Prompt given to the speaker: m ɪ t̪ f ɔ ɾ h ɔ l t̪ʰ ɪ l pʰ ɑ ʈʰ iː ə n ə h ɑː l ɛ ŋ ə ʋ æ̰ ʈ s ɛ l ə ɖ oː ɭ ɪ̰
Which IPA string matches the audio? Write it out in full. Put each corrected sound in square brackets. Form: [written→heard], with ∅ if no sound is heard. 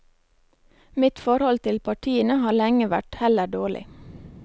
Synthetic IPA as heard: m ɪ t̪ f ɔ ɾ h ɔ l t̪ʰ ɪ l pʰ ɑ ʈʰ iː ə n ə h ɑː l ɛ ŋ ə ʋ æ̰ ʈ [s→h] ɛ l ə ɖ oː ɭ ɪ̰